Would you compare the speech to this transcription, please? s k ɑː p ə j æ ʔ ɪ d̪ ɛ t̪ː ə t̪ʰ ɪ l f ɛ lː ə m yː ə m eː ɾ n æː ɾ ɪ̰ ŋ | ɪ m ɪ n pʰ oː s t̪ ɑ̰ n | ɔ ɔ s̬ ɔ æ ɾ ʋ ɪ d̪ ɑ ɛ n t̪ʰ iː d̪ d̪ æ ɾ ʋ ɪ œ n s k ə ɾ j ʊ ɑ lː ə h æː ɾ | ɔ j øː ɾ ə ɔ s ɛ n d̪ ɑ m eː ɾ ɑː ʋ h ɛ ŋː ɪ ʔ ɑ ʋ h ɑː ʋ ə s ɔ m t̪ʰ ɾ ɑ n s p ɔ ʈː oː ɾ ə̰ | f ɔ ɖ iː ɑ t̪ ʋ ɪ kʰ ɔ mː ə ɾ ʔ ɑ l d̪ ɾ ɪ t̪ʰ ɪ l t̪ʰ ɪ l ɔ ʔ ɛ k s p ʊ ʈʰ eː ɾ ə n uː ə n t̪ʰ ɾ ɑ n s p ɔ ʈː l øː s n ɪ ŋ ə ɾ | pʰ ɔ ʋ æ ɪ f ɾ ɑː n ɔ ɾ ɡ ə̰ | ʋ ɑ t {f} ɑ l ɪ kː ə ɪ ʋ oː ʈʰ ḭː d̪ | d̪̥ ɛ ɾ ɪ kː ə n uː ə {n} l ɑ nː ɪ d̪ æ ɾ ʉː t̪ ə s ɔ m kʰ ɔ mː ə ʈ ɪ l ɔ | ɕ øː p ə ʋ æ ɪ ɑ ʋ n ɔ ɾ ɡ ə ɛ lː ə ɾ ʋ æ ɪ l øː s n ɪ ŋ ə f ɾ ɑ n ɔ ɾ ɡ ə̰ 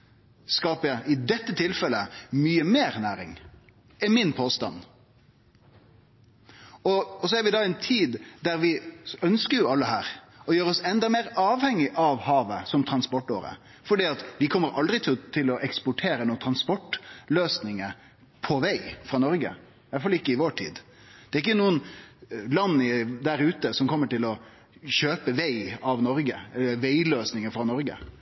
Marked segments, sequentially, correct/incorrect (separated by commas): correct, correct